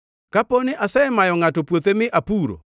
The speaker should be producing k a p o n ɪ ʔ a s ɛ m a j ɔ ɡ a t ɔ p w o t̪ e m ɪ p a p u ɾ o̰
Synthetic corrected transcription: k a p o n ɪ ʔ a s ɛ m a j ɔ ŋ a t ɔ p w o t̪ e m ɪ ʔ a p u ɾ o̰